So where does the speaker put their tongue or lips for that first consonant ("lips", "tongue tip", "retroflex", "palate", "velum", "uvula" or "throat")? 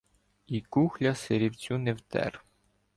velum